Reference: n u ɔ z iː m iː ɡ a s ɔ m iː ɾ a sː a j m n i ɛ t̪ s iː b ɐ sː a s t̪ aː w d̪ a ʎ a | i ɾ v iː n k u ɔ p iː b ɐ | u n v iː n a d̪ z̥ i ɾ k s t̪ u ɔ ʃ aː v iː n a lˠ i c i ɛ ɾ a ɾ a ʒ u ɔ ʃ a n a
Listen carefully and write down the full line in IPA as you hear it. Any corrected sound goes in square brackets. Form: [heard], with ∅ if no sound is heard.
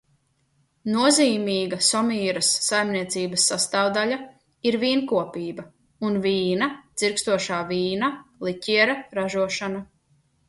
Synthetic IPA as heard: n u ɔ z iː m iː ɡ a s ɔ m iː ɾ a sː a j m n i ɛ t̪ s iː b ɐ sː a s t̪ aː w d̪ a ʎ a | i ɾ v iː n k u ɔ p iː b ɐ | u n v iː n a d̪ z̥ i ɾ k s t̪ u ɔ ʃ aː v iː n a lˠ i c i ɛ ɾ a ɾ a ʒ u ɔ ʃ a n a